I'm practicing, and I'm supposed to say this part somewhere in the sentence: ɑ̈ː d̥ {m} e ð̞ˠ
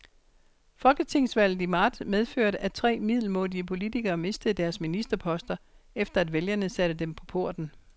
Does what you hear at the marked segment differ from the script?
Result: no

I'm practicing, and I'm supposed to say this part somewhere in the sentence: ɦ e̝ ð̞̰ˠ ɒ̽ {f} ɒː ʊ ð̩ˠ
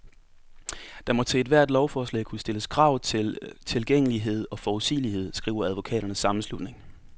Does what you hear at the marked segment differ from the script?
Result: no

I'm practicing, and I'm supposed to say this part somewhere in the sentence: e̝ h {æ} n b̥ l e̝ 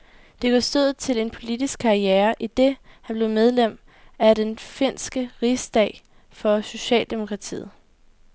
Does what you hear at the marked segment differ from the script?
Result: no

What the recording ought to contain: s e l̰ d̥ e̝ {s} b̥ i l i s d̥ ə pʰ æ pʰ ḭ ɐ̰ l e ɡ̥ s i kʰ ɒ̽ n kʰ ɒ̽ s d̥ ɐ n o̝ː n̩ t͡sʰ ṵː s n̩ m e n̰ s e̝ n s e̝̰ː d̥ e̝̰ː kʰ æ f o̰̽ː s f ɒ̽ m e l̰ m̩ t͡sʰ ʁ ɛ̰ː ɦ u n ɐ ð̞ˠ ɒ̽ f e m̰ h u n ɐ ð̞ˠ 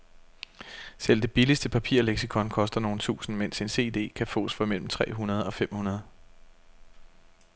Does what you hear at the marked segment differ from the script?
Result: yes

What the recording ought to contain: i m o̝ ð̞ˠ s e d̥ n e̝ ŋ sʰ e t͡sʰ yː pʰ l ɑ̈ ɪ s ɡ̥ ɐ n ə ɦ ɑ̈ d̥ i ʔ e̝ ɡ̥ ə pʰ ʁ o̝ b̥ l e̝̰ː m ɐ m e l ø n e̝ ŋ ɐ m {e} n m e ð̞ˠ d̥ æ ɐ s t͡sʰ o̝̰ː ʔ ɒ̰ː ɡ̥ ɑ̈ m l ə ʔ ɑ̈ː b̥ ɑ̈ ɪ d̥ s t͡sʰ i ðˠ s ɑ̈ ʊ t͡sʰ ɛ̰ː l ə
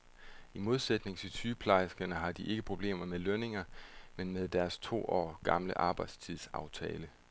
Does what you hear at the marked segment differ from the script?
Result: no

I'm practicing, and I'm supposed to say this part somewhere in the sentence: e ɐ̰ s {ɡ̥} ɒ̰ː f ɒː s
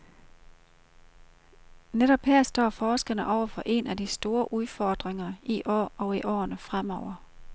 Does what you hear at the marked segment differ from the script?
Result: yes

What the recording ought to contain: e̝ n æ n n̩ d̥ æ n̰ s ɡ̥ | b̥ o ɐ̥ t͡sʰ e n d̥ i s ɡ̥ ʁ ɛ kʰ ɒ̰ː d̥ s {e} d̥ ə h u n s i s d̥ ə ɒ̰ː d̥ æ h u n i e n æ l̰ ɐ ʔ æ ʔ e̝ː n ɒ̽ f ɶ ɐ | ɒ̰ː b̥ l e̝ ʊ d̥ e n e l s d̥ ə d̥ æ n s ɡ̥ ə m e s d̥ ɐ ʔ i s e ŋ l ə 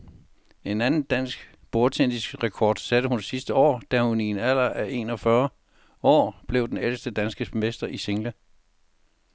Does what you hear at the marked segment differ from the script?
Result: yes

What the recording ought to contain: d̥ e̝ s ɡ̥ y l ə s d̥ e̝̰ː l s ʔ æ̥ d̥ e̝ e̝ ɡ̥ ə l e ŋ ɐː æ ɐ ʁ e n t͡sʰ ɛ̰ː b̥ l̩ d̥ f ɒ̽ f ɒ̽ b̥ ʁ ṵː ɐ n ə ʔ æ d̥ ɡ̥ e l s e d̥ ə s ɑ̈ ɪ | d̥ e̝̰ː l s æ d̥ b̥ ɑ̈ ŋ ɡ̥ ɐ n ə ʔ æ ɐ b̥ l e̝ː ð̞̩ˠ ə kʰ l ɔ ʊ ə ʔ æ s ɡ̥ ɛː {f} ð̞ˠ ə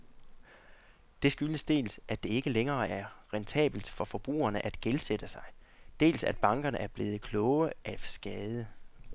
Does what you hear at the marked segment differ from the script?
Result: yes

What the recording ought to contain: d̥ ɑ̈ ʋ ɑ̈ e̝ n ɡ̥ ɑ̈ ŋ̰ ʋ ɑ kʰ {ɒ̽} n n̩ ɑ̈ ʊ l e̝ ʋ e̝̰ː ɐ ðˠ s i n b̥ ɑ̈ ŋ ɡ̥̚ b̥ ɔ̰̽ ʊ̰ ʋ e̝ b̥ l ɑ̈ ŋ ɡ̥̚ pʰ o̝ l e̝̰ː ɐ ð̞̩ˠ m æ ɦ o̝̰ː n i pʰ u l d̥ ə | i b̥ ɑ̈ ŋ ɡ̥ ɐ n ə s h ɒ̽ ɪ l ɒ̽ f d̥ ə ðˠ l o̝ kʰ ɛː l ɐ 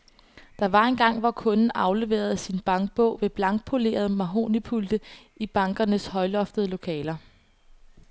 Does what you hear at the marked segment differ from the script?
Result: yes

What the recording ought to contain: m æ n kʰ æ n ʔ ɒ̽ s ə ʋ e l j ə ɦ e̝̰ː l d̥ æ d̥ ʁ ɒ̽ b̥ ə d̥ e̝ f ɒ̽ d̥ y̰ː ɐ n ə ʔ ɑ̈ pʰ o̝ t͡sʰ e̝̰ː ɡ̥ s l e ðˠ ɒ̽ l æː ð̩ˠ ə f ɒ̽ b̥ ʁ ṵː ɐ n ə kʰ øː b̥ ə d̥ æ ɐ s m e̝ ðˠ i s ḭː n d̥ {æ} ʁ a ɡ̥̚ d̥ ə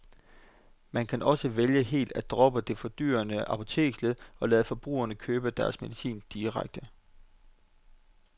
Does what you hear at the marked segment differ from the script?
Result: yes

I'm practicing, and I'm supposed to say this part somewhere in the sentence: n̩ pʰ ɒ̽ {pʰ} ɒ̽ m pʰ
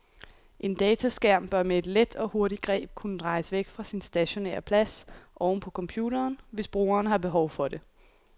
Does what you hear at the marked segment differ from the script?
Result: yes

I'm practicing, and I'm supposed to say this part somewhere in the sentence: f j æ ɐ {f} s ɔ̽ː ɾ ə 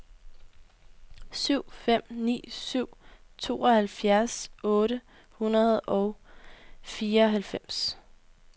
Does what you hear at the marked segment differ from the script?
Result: yes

